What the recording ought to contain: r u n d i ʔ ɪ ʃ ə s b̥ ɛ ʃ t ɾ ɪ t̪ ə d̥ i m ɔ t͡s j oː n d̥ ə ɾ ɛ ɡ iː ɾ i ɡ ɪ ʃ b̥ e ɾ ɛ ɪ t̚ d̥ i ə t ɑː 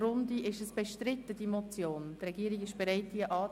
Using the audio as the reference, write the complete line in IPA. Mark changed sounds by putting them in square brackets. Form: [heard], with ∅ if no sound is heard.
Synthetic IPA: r [ʊ] n d i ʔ ɪ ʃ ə s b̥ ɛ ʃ t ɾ ɪ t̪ ə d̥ i m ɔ t͡s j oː n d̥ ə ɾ ɛ ɡ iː ɾ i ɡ ɪ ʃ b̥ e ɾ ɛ ɪ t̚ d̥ i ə [ʔ] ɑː